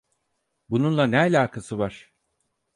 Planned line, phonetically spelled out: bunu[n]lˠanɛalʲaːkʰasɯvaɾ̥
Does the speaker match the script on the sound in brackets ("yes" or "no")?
yes